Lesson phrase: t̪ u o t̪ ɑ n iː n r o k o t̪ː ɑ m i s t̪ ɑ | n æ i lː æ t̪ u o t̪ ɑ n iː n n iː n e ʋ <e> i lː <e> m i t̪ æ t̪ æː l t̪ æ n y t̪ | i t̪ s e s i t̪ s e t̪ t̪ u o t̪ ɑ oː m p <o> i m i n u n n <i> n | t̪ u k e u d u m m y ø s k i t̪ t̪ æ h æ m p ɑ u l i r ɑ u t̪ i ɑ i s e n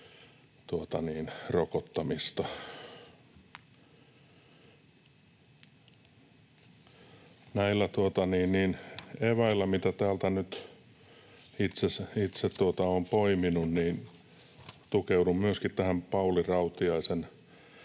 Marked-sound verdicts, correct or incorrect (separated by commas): incorrect, incorrect, correct, incorrect